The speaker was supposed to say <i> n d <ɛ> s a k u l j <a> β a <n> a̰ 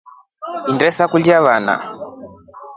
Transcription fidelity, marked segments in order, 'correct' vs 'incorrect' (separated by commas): correct, correct, correct, correct